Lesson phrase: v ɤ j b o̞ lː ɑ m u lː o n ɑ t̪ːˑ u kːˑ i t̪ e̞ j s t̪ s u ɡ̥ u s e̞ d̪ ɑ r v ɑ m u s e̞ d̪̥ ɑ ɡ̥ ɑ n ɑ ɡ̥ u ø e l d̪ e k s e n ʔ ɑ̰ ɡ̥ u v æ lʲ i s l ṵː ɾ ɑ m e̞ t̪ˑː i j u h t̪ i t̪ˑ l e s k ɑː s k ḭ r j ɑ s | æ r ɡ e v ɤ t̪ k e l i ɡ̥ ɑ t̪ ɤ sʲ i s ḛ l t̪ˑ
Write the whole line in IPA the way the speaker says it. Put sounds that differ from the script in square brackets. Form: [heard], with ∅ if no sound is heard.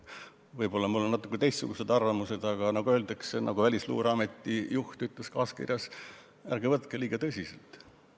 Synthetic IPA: v ɤ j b o̞ lː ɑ m u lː o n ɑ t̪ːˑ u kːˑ [e] t̪ e̞ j s t̪ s u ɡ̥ u s e̞ d̪ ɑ r v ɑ m u s e̞ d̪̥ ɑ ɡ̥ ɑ n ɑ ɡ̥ u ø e l d̪ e k s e n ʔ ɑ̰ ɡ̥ u v æ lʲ i s l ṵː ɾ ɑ m e̞ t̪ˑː i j u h t̪ [y] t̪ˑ l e s k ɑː s k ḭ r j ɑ s | æ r ɡ e v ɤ t̪ k e l [iː] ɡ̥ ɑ t̪ ɤ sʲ i s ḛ l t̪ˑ